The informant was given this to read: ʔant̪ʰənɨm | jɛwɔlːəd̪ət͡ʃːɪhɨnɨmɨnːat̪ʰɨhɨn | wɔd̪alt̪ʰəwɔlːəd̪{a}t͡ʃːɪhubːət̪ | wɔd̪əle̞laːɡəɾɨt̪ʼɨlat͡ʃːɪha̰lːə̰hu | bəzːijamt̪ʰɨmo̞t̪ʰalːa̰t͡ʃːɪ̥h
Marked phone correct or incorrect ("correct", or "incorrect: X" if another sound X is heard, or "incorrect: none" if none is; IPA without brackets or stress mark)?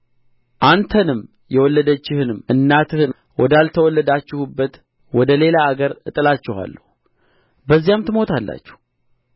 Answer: correct